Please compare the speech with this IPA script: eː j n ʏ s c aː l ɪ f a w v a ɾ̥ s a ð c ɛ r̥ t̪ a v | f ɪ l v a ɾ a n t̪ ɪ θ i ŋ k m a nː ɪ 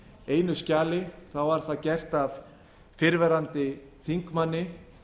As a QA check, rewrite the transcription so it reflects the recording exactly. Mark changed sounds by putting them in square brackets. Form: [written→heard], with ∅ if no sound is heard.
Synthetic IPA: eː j n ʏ s c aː l ɪ [f→θ] a w v a ɾ̥ [s→θ] a ð c ɛ r̥ t̪ a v | f ɪ [l→ɾ] v [a→ɛ] ɾ a n t̪ ɪ θ i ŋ k m a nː ɪ